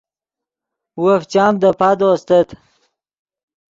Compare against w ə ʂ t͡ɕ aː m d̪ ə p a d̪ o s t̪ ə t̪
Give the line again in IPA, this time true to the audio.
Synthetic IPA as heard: w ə f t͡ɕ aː m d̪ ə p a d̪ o s t̪ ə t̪